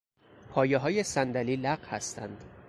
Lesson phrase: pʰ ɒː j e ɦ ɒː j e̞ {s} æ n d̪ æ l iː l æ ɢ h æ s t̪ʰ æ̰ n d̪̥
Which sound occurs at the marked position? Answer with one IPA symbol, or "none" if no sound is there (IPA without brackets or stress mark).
s